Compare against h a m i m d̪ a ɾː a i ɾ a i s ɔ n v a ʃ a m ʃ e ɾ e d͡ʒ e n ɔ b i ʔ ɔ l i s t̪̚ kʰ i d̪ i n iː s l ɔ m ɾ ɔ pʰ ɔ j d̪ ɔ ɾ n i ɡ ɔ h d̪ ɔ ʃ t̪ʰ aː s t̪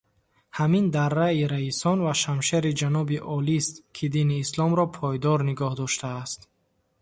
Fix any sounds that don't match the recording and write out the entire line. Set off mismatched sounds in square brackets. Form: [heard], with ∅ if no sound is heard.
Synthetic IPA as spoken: h a m i [n] d̪ a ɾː a i ɾ a i s ɔ n v a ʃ a m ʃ e ɾ [i] d͡ʒ [a] n ɔ b i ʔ ɔ l i s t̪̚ kʰ i d̪ i n iː s l ɔ m ɾ ɔ pʰ ɔ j d̪ ɔ ɾ n i ɡ ɔ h d̪ ɔ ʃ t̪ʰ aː s t̪